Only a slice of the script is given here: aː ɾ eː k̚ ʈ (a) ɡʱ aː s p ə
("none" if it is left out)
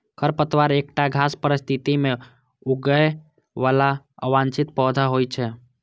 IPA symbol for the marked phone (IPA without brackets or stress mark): a